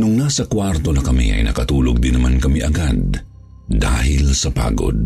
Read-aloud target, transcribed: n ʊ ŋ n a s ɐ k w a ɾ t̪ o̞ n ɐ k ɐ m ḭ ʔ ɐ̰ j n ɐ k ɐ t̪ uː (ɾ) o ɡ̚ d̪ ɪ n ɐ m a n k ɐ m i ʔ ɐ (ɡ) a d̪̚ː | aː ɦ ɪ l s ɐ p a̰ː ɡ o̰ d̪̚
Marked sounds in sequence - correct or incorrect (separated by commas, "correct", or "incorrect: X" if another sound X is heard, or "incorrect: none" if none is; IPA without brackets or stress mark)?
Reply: incorrect: l, correct